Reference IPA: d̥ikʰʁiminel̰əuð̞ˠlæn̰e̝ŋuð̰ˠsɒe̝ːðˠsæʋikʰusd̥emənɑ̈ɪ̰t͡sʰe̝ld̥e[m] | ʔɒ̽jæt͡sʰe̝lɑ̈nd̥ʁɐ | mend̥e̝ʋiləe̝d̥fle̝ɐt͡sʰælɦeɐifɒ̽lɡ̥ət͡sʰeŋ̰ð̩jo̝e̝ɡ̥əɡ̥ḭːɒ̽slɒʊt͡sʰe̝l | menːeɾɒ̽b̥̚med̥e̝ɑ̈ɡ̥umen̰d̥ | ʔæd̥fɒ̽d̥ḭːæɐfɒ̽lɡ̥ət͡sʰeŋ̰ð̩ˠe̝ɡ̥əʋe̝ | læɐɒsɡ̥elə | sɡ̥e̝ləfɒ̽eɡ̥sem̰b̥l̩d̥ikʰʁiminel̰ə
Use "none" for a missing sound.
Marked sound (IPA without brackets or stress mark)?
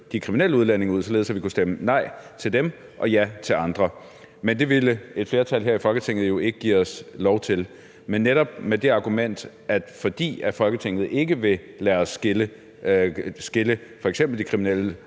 m